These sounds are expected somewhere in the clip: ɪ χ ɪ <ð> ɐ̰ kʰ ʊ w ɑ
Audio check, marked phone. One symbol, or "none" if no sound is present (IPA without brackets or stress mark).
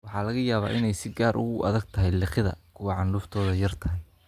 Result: ð